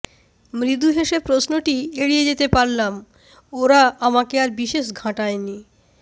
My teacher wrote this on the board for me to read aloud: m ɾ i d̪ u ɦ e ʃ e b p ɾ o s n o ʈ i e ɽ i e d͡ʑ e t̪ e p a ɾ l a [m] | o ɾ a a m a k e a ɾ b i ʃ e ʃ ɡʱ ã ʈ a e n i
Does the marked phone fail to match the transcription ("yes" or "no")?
no